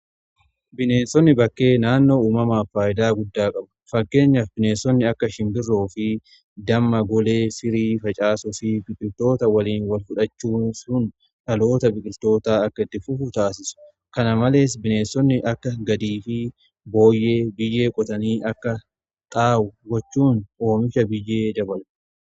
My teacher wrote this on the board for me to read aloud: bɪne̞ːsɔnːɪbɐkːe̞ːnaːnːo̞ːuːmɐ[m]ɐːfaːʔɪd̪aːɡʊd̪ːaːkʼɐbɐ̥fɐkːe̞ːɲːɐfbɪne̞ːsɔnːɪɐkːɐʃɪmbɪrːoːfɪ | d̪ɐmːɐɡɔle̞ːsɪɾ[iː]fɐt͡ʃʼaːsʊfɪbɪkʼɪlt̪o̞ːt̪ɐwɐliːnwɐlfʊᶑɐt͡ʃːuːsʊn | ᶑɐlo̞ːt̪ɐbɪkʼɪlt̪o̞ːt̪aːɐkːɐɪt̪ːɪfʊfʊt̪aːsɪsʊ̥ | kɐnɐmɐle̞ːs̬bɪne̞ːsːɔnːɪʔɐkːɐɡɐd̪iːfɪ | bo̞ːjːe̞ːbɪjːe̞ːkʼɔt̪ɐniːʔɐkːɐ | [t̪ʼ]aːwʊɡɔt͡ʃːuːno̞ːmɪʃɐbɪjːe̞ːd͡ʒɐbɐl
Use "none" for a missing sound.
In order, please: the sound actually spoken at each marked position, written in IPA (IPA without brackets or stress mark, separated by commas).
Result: m, iː, t̪ʼ